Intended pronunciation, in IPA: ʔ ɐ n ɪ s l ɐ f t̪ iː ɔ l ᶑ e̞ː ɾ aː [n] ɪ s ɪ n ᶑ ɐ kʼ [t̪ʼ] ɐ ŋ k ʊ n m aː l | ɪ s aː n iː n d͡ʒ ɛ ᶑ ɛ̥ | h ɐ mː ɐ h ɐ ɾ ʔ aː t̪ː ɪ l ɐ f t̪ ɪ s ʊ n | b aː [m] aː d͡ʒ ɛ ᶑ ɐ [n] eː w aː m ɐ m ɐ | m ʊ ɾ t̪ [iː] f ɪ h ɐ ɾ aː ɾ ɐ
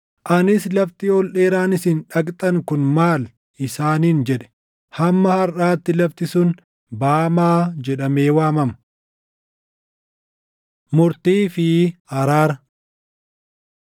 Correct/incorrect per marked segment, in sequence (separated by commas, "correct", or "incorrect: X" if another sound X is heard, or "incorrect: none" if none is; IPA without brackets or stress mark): correct, correct, correct, incorrect: m, correct